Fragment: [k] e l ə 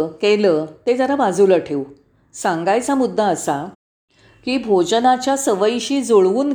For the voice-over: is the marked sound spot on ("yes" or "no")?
yes